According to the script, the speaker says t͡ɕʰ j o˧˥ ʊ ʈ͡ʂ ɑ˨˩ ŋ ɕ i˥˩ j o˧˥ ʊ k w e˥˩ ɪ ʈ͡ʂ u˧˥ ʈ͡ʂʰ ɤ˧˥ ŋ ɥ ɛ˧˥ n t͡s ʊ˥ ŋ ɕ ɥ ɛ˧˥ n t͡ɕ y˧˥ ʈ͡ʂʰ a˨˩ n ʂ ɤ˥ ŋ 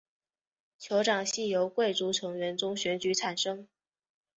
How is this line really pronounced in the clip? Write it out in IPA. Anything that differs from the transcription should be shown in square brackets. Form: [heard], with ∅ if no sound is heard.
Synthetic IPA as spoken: t͡ɕʰ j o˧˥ ʊ ʈ͡ʂ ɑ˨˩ ŋ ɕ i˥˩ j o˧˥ ʊ k w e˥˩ ɪ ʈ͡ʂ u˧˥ ʈ͡ʂʰ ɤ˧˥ ŋ ɥ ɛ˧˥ n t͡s ʊ˥ ŋ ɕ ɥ ɛ˧˥ n t͡ɕ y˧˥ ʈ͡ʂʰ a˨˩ n ʂ ɤ˥ ŋ